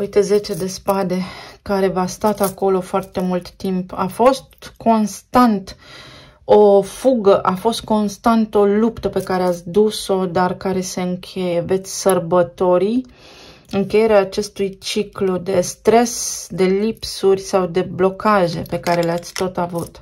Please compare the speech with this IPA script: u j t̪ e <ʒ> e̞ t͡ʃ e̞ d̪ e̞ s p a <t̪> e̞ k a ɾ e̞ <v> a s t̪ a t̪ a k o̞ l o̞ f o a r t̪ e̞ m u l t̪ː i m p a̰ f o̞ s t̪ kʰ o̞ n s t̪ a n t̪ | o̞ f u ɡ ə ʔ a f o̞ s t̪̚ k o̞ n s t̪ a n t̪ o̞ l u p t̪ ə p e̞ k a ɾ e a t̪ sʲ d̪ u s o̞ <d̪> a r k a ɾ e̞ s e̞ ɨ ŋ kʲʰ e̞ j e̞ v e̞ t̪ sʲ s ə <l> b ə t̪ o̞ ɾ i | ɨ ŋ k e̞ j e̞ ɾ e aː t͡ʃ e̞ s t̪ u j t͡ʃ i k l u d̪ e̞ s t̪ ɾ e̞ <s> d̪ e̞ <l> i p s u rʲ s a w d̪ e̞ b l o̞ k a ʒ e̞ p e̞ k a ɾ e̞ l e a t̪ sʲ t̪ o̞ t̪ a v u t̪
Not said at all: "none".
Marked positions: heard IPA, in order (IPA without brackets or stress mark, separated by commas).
z, d̪, v, d̪, r, s, l